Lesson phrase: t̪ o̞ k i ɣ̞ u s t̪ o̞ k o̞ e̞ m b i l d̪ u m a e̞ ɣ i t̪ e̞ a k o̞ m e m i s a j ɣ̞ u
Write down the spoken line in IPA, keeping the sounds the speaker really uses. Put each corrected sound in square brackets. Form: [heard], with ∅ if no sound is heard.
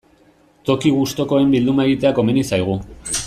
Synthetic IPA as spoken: t̪ o̞ k i ɣ̞ u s t̪ o̞ k o̞ e̞ m b i l d̪ u m a e̞ ɣ i t̪ e̞ a k o̞ m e [n] i s a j ɣ̞ u